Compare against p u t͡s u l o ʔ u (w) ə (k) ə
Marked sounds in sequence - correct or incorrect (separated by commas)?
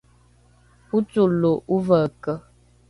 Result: incorrect, correct